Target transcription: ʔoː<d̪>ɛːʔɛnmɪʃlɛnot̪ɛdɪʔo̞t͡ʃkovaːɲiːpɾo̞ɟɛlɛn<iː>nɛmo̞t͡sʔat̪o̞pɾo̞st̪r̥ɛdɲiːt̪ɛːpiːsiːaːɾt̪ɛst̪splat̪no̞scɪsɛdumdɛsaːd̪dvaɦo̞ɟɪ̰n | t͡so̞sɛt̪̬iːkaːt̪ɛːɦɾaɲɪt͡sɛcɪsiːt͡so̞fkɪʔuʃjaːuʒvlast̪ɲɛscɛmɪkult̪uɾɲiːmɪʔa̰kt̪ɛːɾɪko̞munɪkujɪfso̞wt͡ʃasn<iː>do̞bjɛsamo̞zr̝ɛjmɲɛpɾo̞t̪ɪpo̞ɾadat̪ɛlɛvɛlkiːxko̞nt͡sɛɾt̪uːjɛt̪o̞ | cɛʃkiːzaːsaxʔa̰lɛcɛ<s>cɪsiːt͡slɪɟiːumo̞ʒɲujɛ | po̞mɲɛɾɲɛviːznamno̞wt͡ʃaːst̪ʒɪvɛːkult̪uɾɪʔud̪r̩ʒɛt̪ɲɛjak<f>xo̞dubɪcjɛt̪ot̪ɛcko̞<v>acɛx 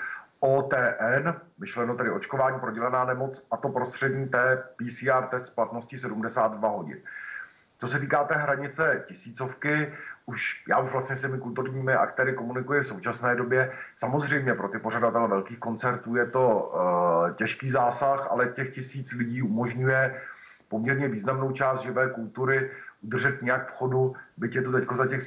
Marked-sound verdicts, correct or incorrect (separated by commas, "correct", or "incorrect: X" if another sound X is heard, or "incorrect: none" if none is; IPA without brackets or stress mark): incorrect: t̪, incorrect: aː, incorrect: ɛː, incorrect: x, correct, incorrect: z